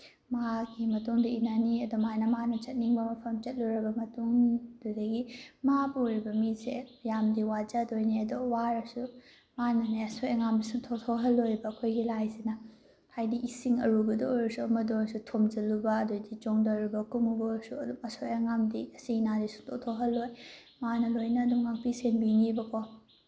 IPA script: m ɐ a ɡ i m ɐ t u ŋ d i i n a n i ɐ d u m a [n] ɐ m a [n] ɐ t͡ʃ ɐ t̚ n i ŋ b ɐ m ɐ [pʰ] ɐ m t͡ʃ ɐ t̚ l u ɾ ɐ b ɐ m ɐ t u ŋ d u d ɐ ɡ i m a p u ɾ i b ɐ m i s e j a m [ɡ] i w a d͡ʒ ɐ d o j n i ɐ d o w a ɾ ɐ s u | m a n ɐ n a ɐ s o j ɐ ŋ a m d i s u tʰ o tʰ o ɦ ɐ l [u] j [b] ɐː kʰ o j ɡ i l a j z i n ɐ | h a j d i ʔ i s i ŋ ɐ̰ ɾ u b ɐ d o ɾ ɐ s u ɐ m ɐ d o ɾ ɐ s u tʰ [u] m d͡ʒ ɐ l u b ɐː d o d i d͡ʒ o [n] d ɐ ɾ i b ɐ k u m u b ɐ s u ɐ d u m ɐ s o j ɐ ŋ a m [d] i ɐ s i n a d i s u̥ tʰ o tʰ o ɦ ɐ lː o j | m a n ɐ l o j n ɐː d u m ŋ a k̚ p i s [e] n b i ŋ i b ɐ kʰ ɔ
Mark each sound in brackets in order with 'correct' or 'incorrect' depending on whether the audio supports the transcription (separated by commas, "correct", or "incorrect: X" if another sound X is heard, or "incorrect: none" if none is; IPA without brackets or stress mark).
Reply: correct, correct, correct, incorrect: d, incorrect: o, correct, incorrect: o, incorrect: ŋ, correct, correct